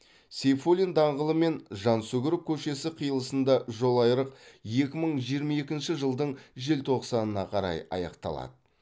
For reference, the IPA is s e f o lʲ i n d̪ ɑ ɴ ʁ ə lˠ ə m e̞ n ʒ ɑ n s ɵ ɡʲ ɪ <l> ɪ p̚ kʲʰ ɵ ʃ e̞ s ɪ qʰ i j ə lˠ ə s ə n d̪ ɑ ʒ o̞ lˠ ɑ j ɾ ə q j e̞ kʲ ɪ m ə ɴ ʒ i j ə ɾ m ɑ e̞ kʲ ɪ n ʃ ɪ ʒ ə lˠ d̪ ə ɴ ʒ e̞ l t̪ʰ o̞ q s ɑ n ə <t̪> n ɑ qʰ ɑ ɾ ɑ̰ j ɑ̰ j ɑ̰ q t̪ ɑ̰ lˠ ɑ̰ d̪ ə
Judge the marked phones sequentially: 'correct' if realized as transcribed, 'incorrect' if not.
incorrect, incorrect

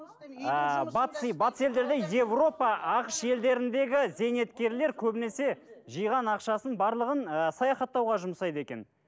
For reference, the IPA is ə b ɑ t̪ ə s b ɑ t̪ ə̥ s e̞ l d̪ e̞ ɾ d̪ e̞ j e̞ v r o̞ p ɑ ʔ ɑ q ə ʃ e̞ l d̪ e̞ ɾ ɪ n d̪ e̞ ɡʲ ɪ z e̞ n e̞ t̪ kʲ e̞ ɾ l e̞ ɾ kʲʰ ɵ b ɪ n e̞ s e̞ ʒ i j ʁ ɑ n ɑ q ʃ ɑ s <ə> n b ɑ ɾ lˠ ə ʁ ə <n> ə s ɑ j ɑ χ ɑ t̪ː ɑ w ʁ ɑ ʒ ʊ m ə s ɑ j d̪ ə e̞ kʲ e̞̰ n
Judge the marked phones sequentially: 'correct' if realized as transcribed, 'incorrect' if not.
correct, correct

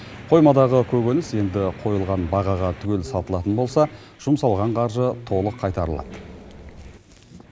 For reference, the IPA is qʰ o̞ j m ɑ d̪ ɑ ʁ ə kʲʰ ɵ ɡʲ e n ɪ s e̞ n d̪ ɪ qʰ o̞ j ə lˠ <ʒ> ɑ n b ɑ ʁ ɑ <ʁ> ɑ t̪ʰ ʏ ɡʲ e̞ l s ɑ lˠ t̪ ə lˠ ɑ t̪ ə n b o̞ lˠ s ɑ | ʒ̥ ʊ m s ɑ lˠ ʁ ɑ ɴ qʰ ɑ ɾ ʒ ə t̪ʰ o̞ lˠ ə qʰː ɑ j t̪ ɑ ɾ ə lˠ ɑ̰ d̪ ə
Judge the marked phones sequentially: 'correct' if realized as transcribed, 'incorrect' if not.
incorrect, correct

